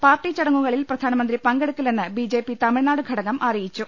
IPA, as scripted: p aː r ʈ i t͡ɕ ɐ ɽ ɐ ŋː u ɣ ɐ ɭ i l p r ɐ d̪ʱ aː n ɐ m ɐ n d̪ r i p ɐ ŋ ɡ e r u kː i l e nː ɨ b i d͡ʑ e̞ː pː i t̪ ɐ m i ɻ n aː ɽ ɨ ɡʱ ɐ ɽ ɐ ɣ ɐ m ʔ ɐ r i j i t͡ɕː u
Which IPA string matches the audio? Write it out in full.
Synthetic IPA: p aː r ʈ i t͡ɕ ɐ ɽ ɐ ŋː u ɣ ɐ ɭ i l p r ɐ d̪ʱ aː n ɐ m ɐ n d̪ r i p ɐ ŋ ɡ e ɽ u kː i l e nː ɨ b i d͡ʑ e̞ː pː i t̪ ɐ m i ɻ n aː ɽ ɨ ɡʱ ɐ ɽ ɐ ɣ ɐ m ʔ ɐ r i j i t͡ɕː u